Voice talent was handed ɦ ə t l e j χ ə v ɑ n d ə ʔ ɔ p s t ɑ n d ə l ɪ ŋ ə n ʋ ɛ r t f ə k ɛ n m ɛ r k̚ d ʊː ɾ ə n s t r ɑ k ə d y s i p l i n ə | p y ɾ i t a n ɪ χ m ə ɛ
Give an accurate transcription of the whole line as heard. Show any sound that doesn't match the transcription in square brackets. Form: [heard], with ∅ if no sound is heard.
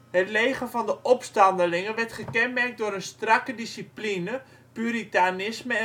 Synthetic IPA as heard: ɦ ə t l e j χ ə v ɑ n d ə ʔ ɔ p s t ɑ n d ə l ɪ ŋ ə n ʋ ɛ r t [χ] ə k ɛ n m ɛ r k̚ d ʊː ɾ ə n s t r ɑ k ə d [i] s i p l i n ə | p y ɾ i t a n ɪ [s] m ə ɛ